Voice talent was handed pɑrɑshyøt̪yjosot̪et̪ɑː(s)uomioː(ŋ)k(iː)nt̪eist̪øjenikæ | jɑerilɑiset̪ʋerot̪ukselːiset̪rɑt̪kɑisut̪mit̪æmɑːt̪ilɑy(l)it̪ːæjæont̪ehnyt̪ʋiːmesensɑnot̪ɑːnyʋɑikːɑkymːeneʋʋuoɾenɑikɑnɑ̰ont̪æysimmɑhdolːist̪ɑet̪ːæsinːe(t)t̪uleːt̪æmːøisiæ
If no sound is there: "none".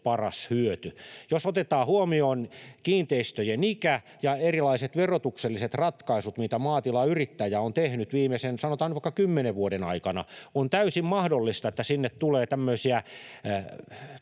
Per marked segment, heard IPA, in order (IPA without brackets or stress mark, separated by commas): h, n, iː, r, t